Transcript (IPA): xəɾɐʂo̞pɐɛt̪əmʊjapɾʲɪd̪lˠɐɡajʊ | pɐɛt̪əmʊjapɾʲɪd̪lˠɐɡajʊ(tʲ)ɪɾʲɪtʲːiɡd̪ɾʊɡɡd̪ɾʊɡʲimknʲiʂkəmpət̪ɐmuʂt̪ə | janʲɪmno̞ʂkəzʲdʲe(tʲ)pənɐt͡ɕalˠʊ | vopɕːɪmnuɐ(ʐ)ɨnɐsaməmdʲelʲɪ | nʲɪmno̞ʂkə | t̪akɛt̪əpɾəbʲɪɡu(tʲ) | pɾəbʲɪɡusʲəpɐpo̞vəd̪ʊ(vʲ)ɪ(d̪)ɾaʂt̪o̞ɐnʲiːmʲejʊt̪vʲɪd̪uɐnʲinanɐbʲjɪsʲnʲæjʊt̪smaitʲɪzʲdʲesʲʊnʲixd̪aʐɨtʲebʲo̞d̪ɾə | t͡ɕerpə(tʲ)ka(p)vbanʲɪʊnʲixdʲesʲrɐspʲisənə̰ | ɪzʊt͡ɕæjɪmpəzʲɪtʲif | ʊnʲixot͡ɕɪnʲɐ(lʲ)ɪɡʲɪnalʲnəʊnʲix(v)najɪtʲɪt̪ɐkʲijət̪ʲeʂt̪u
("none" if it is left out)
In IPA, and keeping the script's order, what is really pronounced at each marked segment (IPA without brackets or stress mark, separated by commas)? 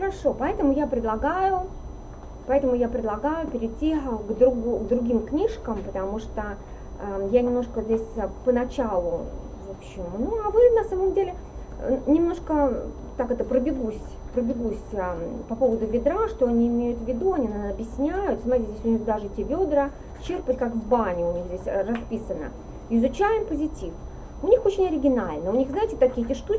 pʲ, sʲ, v, sʲ, vʲ, d̪, tʲ, k, ɾʲ, z